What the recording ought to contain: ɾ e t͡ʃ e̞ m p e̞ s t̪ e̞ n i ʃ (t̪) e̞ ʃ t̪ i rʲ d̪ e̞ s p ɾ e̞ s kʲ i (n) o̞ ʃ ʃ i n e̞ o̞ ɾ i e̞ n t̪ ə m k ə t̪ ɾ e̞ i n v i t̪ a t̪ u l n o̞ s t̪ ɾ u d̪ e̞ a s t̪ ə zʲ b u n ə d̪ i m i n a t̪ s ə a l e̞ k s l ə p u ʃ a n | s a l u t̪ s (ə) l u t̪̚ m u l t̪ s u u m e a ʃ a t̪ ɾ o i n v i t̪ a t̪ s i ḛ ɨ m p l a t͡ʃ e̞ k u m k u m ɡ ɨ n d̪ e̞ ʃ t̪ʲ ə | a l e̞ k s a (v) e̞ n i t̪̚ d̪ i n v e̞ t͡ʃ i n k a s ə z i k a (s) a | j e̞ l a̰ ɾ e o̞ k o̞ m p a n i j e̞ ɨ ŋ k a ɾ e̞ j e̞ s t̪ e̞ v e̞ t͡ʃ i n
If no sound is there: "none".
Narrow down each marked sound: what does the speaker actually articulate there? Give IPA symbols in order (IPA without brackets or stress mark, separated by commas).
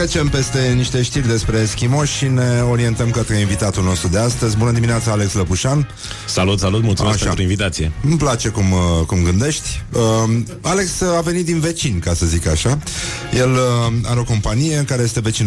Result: t̪, m, a, v, ʃ